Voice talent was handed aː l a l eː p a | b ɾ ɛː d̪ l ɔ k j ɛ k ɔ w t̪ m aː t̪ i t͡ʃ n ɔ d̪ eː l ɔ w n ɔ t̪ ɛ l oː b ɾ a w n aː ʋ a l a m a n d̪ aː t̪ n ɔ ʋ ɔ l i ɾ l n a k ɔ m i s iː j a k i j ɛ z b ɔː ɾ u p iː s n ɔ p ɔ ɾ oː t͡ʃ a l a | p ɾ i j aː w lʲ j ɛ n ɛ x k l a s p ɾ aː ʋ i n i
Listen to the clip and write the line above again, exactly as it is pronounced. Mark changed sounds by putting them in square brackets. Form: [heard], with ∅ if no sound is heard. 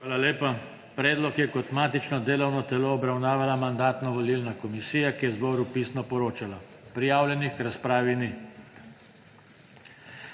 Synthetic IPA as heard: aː l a l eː p a | [p] ɾ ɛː d̪ l ɔ k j ɛ k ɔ [∅] t̪ m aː t̪ i t͡ʃ n ɔ d̪ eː l ɔ w n ɔ t̪ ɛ l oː b ɾ a w n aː ʋ a l a m a n d̪ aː t̪ n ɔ ʋ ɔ l i [∅] l n a k ɔ m i s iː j a k i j ɛ z b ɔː ɾ u p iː s n ɔ p ɔ ɾ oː t͡ʃ a l a | p ɾ i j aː w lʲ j ɛ n [i] x k [ɾ] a s p ɾ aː ʋ i n i